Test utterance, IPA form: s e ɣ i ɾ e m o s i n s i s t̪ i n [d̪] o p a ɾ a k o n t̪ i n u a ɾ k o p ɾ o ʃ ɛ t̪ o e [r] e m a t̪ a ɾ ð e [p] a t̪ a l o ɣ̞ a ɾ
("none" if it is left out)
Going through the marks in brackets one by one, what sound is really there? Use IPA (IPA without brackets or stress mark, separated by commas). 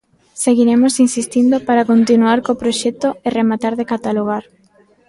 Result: d̪, r, k